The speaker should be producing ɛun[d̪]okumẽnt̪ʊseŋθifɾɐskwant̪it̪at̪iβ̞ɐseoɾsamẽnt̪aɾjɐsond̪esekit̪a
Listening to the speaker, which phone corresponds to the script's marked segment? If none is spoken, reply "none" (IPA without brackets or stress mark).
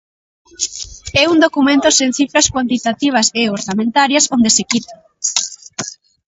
d̪